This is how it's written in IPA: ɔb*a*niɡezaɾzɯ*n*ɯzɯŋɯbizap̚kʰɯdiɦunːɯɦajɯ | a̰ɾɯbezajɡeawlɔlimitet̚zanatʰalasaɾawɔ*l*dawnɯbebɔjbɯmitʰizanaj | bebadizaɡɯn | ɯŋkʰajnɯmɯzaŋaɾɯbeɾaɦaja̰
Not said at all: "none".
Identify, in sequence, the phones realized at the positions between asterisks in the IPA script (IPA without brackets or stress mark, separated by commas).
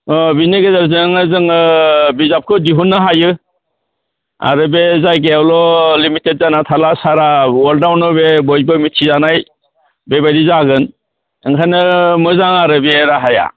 i, ŋ, l